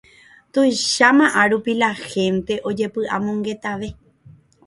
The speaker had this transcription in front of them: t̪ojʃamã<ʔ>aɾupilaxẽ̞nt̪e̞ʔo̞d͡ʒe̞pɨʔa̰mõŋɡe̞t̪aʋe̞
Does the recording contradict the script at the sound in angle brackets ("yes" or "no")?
no